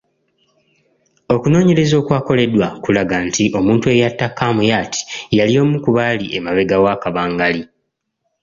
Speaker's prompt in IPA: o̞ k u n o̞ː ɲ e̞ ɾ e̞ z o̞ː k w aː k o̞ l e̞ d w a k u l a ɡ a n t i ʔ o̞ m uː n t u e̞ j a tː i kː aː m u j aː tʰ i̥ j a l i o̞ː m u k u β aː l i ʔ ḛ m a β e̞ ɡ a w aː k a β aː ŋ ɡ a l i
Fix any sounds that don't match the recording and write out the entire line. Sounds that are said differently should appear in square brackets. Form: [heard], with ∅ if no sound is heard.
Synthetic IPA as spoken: o̞ k u n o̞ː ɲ e̞ ɾ e̞ z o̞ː k w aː k o̞ l e̞ d w a k u l a ɡ a n t i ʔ o̞ m uː n t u e̞ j a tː [a] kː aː m u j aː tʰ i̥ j a l i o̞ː m u k u β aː l i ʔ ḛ m a β e̞ ɡ a w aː k a β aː ŋ ɡ a l i